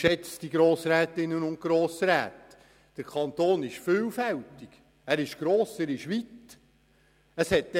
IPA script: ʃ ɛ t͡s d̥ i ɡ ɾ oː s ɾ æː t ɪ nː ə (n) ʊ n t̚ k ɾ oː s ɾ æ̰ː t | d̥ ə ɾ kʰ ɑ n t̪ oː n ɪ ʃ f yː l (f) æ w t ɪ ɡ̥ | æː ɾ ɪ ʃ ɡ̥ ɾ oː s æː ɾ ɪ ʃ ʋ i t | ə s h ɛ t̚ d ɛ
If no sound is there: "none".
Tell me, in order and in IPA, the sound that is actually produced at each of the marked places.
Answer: n, f

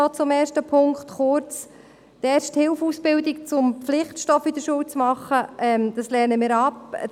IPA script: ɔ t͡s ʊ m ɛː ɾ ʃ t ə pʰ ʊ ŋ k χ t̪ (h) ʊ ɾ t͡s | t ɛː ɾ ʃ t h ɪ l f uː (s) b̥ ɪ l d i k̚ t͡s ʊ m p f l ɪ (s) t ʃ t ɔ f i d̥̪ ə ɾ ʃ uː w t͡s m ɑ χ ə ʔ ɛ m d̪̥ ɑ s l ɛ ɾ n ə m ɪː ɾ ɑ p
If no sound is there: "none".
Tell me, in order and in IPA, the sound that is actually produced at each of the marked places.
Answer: χ, s, χ

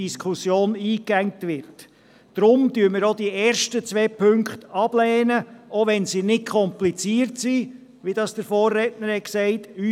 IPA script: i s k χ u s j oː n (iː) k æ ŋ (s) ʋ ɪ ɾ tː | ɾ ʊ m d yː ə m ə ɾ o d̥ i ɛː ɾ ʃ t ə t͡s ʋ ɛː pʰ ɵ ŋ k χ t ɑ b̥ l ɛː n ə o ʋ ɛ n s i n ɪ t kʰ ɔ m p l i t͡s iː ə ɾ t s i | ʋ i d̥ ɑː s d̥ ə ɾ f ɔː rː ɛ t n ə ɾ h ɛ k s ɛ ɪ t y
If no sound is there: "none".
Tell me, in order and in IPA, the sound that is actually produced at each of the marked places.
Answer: iː, t

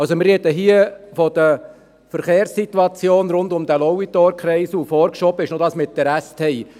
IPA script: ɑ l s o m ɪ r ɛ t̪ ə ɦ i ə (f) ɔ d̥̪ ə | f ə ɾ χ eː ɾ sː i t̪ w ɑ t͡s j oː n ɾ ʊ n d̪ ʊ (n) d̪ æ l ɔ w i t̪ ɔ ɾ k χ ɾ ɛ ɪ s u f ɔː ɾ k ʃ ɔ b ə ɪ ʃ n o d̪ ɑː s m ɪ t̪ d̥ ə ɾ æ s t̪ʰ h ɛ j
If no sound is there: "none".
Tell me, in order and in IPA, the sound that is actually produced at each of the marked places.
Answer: f, m

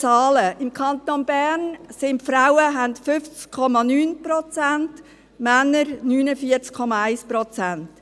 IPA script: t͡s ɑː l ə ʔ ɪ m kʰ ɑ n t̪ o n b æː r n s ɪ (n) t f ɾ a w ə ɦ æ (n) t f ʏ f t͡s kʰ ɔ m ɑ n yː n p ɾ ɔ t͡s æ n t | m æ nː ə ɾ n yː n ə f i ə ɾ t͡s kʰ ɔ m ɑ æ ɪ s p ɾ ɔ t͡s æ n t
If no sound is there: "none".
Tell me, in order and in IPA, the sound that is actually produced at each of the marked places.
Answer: n, n

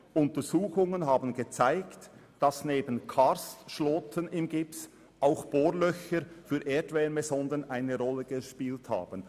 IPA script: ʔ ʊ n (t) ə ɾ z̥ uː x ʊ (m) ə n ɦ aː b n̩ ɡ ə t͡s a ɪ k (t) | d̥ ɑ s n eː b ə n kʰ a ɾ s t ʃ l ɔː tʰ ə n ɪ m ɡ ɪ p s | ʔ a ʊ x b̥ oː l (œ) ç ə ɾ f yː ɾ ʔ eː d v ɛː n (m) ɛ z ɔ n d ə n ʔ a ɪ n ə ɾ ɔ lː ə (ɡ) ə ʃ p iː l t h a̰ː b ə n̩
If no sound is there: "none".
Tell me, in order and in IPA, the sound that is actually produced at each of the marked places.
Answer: t, ŋ, t, œ, m, ɡ

